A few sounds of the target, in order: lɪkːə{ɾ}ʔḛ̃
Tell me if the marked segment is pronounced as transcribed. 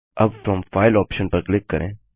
yes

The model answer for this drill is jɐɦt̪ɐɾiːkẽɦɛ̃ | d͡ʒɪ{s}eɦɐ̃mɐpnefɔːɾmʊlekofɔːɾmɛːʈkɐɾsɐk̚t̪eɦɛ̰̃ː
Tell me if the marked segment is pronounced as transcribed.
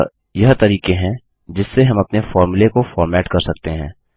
no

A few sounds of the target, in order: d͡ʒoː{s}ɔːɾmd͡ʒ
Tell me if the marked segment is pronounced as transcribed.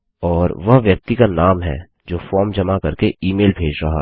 no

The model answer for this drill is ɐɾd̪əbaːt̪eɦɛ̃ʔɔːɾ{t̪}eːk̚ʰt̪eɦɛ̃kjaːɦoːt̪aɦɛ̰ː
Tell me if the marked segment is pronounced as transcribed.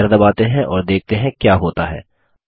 no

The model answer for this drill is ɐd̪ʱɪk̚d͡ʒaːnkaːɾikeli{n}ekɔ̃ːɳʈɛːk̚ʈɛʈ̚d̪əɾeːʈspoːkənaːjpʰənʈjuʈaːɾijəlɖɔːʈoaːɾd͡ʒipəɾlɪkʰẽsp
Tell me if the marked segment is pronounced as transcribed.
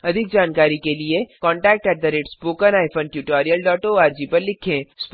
no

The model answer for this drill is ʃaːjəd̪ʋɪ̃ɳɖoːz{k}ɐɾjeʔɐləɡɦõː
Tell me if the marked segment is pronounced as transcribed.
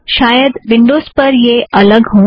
no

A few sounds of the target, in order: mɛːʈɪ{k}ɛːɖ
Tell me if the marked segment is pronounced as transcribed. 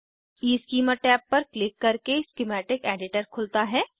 yes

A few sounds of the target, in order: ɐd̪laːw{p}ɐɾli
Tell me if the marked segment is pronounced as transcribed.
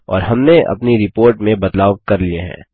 no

